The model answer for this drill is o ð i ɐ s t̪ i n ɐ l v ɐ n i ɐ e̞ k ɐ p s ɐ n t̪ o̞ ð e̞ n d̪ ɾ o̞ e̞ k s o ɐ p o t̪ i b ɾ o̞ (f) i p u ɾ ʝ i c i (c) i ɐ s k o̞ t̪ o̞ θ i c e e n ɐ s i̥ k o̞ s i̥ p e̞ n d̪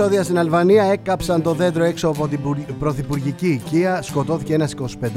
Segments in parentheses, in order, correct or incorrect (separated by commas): incorrect, correct